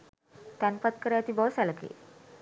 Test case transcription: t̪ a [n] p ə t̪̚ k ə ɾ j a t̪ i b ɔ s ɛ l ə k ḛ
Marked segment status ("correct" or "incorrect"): correct